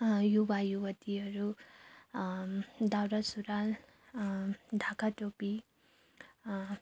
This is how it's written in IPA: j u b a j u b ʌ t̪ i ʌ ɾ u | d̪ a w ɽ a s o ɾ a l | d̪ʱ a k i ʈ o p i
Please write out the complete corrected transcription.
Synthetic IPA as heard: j u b a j u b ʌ t̪ i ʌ ɾ u | d̪ a w ɾ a s u ɾ a l | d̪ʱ a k a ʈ o p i